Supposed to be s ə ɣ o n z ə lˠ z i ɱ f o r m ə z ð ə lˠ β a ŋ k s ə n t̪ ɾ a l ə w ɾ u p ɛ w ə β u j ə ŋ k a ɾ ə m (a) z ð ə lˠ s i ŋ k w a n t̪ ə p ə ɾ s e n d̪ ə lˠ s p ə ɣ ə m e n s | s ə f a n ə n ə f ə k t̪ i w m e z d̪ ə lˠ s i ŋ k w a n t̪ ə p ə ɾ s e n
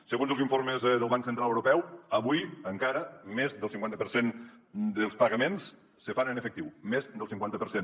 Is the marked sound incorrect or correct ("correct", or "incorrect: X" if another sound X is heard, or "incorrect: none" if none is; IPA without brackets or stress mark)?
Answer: incorrect: e